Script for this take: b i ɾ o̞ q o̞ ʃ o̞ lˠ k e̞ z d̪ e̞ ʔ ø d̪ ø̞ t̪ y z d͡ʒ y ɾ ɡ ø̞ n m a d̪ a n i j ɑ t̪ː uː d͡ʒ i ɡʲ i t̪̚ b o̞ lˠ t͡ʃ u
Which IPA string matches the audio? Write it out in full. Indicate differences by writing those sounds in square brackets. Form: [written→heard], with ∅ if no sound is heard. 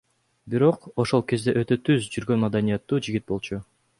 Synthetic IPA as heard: b i ɾ o̞ q o̞ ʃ o̞ lˠ k e̞ z d̪ e̞ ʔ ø [d̪→t̪] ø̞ t̪ y z d͡ʒ y ɾ ɡ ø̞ n m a d̪ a n i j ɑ t̪ː uː d͡ʒ i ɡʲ i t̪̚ b o̞ lˠ t͡ʃ u